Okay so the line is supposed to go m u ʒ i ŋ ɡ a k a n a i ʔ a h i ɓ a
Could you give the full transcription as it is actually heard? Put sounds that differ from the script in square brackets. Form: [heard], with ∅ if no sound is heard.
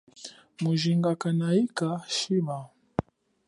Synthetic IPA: m u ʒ i ŋ ɡ a k a n a i [k] a [ʃ] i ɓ a